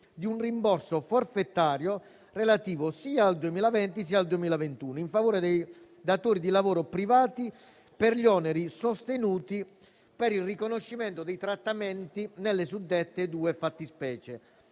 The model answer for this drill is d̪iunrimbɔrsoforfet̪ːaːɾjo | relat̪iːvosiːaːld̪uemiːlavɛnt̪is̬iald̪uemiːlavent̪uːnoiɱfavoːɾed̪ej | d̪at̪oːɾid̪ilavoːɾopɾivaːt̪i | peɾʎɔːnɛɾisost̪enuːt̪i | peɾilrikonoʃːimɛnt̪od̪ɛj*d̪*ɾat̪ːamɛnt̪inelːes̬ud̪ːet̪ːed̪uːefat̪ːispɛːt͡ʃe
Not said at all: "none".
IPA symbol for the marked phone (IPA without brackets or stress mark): t̪